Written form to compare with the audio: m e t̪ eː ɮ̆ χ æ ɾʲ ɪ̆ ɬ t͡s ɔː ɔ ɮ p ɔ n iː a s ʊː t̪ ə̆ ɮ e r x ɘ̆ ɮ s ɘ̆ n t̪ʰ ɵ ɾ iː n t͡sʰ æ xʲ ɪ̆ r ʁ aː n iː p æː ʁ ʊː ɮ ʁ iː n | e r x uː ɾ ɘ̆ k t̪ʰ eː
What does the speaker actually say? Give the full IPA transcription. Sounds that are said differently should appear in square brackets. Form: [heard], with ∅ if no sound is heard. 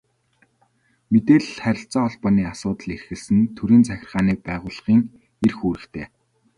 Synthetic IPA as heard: m e t̪ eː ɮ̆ χ æ ɾʲ ɪ̆ ɬ t͡s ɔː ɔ ɮ p ɔ n iː a s ʊː t̪ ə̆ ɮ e r x ɘ̆ ɮ s ɘ̆ n t̪ʰ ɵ ɾ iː n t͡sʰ æ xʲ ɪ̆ r ʁ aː n iː p æː ʁ ʊː ɮ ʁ iː [ŋ] | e r x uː ɾ ɘ̆ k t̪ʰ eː